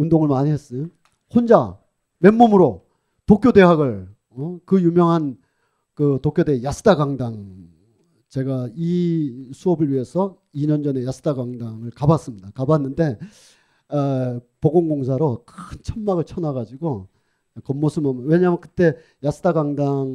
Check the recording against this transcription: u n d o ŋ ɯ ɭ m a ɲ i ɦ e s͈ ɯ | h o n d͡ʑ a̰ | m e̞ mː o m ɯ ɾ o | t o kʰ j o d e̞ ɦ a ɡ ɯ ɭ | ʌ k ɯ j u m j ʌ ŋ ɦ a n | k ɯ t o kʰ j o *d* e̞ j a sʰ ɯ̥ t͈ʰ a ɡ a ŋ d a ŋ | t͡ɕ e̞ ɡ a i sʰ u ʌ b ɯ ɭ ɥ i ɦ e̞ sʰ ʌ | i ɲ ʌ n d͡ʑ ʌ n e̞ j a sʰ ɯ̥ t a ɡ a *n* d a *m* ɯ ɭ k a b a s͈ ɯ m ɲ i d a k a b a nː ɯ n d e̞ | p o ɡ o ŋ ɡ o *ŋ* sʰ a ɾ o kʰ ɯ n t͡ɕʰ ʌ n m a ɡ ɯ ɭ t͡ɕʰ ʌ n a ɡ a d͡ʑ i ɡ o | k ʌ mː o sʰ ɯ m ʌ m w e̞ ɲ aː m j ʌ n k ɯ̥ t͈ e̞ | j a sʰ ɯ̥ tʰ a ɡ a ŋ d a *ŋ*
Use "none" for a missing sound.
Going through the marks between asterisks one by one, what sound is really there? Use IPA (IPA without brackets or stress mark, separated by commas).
d, ŋ, ŋ, ŋ, ŋ